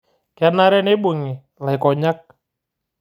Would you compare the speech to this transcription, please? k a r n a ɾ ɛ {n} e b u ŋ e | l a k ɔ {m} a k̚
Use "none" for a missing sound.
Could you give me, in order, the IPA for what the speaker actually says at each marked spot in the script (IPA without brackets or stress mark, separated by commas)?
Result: n, ɲ